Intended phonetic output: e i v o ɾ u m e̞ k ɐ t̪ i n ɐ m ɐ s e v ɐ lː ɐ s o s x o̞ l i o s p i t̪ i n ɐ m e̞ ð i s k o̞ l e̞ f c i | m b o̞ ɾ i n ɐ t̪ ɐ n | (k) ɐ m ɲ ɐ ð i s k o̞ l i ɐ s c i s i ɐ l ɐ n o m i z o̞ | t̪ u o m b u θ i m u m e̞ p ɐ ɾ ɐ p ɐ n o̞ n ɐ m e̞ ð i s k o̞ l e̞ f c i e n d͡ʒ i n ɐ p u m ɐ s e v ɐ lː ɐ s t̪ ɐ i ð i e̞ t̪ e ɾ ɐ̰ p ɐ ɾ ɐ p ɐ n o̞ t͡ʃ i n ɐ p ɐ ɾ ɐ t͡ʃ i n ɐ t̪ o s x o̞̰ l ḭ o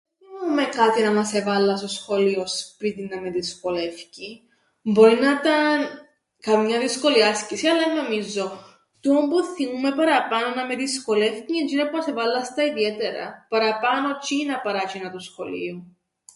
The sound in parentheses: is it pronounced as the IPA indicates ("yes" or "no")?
yes